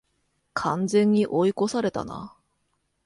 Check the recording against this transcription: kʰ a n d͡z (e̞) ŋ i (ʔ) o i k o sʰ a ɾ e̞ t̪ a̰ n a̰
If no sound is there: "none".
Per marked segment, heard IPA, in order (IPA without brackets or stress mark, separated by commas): e̞, ʔ